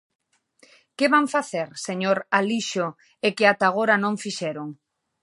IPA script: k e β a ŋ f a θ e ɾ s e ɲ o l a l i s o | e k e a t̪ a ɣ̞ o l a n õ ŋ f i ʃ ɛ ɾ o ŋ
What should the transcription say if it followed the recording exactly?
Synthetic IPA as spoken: k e β a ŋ f a θ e ɾ s e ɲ o ɾ a l i ʃ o | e k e a t̪ a ɣ̞ o ɾ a n õ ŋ f i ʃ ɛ ɾ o ŋ